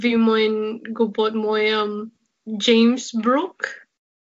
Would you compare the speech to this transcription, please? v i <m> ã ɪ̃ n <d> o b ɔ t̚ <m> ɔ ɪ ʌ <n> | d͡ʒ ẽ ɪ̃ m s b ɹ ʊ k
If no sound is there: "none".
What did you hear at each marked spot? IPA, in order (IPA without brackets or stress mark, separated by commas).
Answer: m, ɡ, m, m